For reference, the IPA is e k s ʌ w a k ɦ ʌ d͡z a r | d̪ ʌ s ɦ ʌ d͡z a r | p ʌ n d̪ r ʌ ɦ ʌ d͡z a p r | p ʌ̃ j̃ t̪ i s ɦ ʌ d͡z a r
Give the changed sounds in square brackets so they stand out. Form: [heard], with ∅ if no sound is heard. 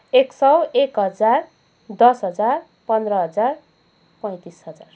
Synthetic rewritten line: e k s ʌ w [e] k ɦ ʌ d͡z a r | d̪ ʌ s ɦ ʌ d͡z a r | p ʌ n d̪ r ʌ ɦ ʌ d͡z a [∅] r | p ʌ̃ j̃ t̪ i s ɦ ʌ d͡z a r